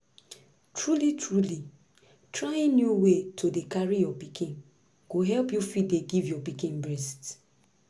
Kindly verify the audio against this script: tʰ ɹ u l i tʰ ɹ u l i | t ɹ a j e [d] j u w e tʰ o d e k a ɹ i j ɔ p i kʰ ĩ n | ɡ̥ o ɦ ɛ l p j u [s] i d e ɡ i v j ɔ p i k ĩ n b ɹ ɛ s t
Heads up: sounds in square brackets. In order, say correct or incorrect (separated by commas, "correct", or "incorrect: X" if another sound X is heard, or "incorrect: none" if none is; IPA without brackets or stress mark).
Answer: incorrect: n, incorrect: f